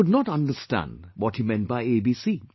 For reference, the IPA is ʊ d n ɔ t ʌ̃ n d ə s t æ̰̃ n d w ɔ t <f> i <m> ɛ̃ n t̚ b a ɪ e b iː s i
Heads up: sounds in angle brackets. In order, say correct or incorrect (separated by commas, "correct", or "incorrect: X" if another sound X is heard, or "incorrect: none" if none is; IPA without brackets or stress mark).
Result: incorrect: h, correct